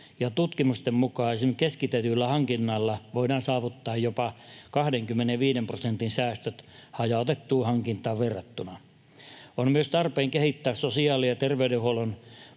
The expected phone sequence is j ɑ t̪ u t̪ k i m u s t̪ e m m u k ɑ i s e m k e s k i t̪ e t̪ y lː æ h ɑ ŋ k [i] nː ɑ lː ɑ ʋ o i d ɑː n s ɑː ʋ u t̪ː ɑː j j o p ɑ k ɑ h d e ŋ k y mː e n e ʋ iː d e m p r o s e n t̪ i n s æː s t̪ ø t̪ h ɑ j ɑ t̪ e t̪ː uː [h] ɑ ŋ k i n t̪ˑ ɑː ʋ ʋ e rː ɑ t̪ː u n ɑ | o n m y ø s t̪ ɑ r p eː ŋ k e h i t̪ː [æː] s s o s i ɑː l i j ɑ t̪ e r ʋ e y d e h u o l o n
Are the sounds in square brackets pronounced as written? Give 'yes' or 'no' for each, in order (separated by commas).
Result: yes, yes, yes